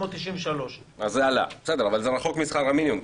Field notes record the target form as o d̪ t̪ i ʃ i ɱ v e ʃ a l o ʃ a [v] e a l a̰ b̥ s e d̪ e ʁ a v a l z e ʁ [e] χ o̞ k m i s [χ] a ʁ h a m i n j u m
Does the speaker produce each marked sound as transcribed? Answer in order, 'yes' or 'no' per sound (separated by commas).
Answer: no, no, yes